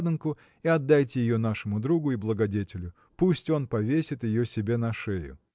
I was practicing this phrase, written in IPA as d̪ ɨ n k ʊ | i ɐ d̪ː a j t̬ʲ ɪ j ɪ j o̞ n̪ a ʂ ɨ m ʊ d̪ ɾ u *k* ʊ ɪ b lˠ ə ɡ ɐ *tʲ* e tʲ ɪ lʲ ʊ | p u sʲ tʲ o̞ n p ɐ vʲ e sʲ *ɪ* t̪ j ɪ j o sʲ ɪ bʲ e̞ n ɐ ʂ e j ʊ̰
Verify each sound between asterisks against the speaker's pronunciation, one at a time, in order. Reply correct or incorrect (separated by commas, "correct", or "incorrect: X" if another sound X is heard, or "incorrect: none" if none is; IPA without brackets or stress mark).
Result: incorrect: ɡ, incorrect: dʲ, correct